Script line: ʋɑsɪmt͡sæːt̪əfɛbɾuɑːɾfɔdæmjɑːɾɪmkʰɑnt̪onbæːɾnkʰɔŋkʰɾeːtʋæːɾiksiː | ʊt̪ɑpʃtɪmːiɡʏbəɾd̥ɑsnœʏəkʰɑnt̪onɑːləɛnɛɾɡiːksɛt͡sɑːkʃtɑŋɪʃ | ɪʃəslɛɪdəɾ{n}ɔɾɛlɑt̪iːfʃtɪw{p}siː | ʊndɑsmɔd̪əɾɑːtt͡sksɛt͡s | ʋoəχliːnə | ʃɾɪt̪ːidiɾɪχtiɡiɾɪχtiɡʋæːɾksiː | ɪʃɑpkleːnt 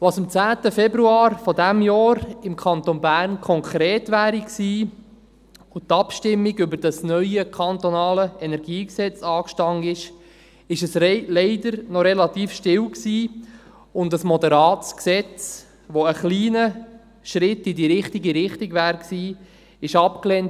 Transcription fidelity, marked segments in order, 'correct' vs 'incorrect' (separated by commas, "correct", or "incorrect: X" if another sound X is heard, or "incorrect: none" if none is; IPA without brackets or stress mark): correct, incorrect: k